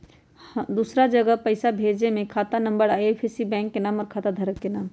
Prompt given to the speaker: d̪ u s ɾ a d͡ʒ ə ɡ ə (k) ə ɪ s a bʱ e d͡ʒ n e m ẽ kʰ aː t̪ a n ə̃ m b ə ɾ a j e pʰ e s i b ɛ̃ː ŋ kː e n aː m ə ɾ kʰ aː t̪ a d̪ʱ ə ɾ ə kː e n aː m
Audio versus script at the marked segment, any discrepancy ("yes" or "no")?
yes